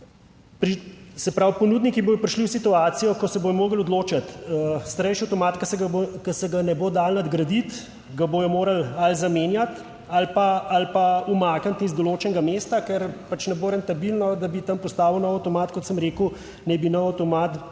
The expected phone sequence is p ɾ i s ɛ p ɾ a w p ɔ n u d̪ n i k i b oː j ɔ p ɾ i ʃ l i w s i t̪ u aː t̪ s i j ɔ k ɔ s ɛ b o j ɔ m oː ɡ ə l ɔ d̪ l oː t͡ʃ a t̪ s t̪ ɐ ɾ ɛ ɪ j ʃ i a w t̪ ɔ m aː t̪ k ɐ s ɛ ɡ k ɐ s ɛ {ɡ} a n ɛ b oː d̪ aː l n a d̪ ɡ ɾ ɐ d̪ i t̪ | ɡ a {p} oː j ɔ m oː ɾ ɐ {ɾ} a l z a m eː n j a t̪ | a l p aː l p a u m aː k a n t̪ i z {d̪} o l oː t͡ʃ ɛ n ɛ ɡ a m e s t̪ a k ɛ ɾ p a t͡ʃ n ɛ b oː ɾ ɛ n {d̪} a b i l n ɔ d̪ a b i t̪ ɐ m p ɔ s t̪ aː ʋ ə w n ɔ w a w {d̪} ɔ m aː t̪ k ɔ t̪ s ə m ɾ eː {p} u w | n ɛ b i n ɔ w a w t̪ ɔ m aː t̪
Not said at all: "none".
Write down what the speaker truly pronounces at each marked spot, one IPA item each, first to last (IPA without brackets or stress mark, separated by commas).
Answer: ɡ, b, l, d̪, t̪, t̪, k